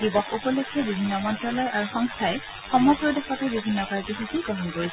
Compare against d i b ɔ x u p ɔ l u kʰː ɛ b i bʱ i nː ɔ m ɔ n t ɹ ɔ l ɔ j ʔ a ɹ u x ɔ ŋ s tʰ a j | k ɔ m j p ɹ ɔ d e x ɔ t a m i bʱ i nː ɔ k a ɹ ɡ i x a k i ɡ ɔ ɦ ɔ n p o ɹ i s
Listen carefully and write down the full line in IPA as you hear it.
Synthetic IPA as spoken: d i b ɔ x u p ɔ l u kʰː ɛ b i bʱ i nː ɔ m ɔ n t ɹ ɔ l ɔ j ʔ a ɹ u x ɔ ŋ s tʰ a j | x ɔ m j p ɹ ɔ d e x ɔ t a b i bʱ i nː ɔ k a ɹ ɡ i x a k i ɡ ɔ ɦ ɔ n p o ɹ i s